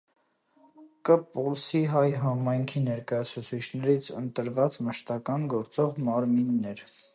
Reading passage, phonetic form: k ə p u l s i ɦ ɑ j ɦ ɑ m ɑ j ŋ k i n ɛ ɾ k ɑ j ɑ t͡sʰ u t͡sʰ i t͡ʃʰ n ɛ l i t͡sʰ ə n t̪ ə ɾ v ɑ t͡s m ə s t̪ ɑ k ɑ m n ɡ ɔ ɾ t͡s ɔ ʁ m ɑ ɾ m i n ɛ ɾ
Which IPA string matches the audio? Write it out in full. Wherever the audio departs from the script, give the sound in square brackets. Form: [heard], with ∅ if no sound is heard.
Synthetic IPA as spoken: k ə p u l s i ɦ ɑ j ɦ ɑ m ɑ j ŋ [kʰ] i n ɛ ɾ k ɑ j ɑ t͡sʰ u t͡sʰ i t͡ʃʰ n ɛ [ɾ] i t͡sʰ ə n t̪ ə ɾ v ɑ t͡s m ə [ʃ] t̪ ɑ k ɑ [∅] n ɡ ɔ ɾ t͡s ɔ ʁ m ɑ ɾ m i [nː] ɛ ɾ